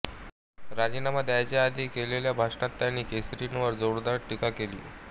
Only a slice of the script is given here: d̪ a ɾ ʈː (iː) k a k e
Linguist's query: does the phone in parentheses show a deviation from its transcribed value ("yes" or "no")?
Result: yes